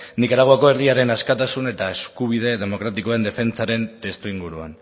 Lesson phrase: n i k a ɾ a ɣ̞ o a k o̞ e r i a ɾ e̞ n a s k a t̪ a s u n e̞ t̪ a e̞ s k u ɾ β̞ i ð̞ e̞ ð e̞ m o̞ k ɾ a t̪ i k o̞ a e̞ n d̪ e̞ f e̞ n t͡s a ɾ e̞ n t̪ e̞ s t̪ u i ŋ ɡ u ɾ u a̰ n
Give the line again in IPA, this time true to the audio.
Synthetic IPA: n i k a ɾ a ɣ̞ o a k o̞ e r i a ɾ e̞ n a s k a t̪ a s u n e̞ t̪ a e̞ s k u β̞ i ð̞ e̞ ð e̞ m o̞ k ɾ a t̪ i k o̞ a e̞ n d̪ e̞ f e̞ n t͡s a ɾ e̞ n t̪ e̞ s t̪ u i ŋ ɡ u ɾ u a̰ n